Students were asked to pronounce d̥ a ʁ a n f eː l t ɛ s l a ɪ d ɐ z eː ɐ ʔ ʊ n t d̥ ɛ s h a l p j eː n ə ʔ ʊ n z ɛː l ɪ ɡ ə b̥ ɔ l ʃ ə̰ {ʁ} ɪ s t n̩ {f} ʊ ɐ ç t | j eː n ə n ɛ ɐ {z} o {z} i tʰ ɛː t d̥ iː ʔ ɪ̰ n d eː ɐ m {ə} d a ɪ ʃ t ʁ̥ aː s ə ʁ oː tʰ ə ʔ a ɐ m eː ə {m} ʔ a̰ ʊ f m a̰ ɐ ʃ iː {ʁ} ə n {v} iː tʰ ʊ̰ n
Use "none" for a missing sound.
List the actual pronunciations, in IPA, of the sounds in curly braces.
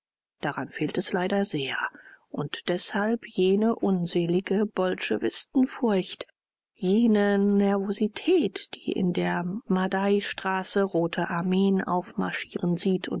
v, f, v, z, a, n, ʁ, z

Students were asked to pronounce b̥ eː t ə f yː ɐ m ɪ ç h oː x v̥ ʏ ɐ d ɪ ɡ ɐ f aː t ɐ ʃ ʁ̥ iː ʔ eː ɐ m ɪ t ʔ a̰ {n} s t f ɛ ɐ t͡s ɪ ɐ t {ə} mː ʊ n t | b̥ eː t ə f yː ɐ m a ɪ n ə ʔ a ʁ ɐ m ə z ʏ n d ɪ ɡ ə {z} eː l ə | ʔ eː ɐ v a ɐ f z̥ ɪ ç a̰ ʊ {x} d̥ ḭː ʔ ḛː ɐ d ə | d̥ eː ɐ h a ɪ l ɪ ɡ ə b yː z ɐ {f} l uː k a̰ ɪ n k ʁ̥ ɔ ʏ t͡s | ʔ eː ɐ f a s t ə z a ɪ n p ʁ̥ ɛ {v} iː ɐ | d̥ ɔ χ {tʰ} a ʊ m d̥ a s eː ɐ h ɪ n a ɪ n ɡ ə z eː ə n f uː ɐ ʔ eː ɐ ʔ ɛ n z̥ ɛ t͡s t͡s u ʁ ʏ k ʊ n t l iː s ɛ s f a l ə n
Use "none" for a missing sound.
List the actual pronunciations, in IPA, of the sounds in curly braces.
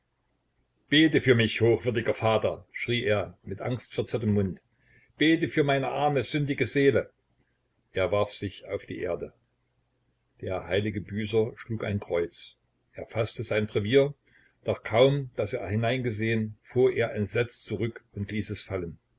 ŋ, ə, z, f, ʃ, v, kʰ

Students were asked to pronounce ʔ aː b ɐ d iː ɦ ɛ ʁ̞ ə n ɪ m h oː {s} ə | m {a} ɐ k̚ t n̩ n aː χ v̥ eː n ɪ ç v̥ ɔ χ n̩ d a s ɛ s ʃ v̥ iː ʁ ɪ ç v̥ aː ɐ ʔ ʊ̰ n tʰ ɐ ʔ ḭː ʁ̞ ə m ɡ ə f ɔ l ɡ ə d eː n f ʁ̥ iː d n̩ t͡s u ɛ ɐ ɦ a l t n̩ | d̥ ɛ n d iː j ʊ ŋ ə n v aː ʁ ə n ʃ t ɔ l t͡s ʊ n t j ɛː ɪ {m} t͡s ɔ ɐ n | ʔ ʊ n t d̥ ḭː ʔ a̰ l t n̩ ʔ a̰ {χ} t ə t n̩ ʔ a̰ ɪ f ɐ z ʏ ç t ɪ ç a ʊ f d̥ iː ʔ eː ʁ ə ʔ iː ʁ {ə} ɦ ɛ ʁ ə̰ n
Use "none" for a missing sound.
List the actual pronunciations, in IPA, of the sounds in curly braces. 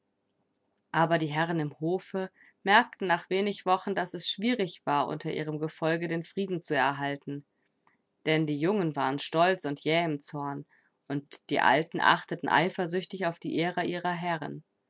f, ɛ, m, χ, ɐ

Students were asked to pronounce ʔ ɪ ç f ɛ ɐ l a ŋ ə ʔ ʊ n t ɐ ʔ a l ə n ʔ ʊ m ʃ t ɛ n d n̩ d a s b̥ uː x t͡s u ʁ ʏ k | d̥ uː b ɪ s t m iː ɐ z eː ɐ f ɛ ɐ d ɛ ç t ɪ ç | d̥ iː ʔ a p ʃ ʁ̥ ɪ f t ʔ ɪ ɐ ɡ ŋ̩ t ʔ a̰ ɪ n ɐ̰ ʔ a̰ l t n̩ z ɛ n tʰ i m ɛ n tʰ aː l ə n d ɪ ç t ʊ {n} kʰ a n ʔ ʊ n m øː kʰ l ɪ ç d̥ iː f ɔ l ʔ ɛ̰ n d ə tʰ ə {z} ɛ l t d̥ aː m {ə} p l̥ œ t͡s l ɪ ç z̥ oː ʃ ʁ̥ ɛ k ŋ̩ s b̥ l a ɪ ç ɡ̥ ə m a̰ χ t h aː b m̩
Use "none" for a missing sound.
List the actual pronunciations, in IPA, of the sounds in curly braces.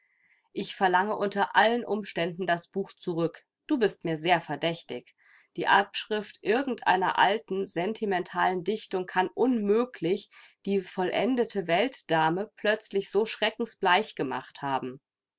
ŋ, v, ə

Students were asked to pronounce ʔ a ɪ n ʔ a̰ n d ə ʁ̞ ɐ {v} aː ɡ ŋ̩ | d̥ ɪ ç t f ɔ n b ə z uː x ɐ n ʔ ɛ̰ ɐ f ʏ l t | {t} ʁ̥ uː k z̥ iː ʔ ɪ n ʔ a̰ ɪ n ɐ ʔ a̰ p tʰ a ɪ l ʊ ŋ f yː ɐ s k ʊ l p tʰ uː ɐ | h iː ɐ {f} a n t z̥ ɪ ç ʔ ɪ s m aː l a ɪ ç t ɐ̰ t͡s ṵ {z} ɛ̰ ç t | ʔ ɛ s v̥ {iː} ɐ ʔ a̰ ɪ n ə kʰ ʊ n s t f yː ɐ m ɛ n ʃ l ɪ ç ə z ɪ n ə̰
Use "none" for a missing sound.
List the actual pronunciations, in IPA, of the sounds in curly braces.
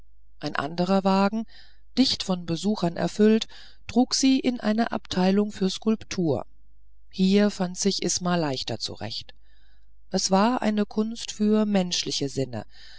v, t, f, ʁ, aː

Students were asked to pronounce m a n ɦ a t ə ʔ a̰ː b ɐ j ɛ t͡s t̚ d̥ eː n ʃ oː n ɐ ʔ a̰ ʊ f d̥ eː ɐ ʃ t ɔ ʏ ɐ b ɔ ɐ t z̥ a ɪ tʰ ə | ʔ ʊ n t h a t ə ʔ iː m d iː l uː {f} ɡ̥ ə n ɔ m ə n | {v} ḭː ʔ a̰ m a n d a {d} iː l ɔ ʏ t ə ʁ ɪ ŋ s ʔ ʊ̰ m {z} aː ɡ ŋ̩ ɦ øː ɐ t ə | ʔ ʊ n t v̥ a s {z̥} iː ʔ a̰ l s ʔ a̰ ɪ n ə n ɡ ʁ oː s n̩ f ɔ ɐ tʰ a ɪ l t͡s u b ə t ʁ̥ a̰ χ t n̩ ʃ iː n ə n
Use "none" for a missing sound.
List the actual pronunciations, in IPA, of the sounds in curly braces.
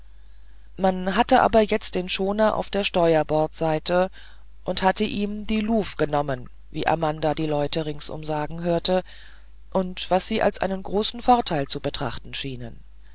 f, v, d, z, z̥

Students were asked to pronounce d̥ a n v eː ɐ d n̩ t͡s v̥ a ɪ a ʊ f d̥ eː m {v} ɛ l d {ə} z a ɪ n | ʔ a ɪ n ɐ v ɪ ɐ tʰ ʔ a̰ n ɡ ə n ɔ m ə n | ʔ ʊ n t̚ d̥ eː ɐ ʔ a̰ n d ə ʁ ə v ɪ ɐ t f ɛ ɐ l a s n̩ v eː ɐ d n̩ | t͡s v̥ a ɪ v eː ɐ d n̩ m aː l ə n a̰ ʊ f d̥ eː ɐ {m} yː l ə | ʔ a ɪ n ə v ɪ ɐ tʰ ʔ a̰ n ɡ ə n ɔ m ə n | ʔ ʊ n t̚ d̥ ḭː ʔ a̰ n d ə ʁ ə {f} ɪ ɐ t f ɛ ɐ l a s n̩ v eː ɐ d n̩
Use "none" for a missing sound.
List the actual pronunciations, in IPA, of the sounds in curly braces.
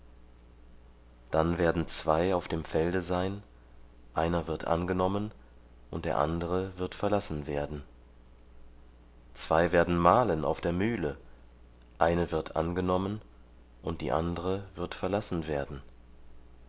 f, ə, m, v

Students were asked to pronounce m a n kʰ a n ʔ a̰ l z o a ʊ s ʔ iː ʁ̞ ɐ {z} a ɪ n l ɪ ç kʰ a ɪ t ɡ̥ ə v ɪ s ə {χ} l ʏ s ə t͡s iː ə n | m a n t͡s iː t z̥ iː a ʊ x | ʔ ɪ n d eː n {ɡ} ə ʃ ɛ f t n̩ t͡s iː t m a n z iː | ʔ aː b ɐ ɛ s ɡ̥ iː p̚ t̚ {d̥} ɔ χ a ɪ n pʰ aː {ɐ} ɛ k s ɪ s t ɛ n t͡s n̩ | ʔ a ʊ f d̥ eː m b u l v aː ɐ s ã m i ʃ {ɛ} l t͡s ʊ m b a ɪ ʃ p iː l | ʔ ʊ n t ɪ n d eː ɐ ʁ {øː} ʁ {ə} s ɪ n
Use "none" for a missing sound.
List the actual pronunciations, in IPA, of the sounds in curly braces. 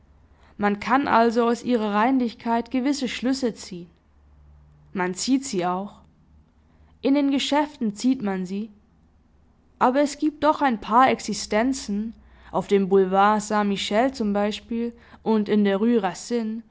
ʁ, ʃ, ɡ, d̥, ɐ, ɛ, yː, a

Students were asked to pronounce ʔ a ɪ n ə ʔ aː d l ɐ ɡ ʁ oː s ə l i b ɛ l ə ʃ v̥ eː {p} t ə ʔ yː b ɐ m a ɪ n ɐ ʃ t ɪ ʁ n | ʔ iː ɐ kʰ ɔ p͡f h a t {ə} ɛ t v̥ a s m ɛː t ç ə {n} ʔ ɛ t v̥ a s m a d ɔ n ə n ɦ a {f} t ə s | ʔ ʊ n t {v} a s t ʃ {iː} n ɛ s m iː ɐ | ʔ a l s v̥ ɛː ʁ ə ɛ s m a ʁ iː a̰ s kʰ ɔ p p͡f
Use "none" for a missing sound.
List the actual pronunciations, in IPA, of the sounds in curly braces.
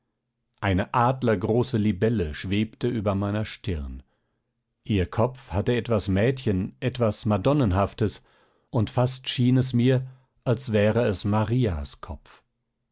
p, ə, n, f, f, iː

